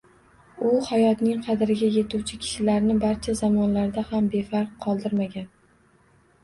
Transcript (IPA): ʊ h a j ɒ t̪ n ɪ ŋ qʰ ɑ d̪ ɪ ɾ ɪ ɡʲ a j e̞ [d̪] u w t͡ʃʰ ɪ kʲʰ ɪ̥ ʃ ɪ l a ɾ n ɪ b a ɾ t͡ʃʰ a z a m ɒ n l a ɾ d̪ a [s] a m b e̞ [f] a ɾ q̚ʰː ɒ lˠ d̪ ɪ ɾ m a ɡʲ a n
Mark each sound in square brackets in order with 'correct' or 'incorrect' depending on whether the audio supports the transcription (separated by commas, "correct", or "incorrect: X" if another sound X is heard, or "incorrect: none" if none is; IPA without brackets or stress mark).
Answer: incorrect: t̪, incorrect: h, correct